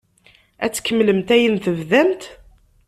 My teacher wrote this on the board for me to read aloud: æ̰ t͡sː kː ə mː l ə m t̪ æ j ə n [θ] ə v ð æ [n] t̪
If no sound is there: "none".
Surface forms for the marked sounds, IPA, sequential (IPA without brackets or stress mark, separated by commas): θ, m